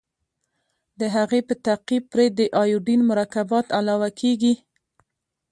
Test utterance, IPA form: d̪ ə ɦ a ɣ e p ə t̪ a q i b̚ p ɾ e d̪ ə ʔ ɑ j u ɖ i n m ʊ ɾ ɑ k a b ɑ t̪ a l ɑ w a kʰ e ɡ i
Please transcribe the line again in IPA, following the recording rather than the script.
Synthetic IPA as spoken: d̪ ə ɦ a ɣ e p ə t̪ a q i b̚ p ɾ e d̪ ə ʔ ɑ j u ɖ i n m ʊ ɾ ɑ k a b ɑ t̪ a l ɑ w a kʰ e ɡ i